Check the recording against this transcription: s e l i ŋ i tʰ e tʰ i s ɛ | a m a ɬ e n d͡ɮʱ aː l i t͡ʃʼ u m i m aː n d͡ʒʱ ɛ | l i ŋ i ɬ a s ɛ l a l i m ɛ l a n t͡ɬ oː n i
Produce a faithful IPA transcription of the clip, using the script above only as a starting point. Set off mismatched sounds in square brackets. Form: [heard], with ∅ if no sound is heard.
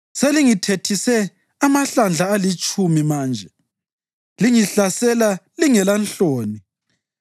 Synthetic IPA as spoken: s e l i ŋ i tʰ e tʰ i s ɛ | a m a ɬ [a] n d͡ɮʱ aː l i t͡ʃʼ u m i m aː n d͡ʒʱ ɛ | l i ŋ i ɬ a s ɛ l a l i [ŋ] ɛ l a n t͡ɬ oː n i